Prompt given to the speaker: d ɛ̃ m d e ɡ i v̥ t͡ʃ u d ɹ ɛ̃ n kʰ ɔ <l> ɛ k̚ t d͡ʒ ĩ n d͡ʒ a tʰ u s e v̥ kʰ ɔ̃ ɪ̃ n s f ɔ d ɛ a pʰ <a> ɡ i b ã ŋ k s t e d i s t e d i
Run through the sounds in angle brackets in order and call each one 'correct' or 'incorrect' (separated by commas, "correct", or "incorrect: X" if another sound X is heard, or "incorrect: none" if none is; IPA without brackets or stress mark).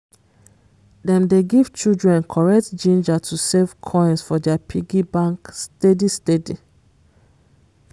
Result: incorrect: ɹ, incorrect: i